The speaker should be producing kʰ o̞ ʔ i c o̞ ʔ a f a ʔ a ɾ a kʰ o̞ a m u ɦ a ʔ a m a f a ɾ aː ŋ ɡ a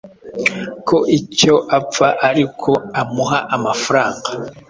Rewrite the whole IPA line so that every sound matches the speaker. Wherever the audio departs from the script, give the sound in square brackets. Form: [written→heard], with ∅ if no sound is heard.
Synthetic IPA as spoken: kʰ o̞ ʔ i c o̞ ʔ a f a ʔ a ɾ [a→i] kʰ o̞ a m u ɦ a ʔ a m a f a ɾ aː ŋ ɡ a